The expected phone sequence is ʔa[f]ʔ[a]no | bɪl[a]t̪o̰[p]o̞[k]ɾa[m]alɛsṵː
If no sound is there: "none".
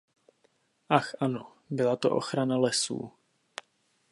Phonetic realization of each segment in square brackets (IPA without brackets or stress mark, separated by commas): x, a, a, ʔ, x, n